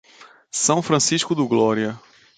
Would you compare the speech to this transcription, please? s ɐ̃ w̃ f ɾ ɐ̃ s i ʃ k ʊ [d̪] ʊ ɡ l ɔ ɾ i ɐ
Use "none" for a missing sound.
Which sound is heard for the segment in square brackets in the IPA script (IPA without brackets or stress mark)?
d̪